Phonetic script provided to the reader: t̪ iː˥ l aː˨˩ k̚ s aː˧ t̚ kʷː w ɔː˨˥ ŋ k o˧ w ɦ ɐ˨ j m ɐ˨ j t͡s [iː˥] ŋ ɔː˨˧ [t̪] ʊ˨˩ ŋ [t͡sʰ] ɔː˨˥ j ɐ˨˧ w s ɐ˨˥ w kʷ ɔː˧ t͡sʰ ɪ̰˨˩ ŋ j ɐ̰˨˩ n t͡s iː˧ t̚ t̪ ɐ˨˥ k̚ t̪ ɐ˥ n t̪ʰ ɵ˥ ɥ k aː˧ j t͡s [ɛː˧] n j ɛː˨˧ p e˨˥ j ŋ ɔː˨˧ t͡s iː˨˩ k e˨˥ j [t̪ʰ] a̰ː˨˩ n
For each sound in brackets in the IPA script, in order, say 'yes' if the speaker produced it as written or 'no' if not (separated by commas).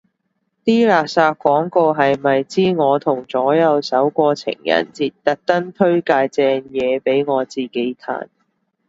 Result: yes, no, no, yes, yes